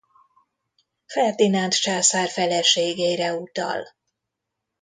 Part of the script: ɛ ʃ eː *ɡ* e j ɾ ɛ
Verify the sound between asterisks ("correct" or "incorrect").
correct